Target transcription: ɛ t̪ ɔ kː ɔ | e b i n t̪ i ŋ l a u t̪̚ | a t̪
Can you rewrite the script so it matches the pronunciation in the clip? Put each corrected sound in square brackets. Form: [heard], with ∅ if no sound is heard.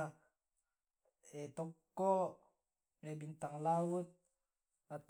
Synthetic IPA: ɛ t̪ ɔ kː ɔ | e b i n t̪ [a] ŋ l a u t̪̚ | a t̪